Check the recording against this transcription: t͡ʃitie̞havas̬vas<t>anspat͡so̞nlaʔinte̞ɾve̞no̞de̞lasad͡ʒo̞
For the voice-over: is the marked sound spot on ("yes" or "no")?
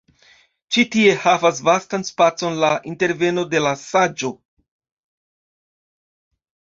yes